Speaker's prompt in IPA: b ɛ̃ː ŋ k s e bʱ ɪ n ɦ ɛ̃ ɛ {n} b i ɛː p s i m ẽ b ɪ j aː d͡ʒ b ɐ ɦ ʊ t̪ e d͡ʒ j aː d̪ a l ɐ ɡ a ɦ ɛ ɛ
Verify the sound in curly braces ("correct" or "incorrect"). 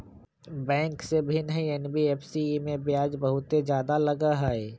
correct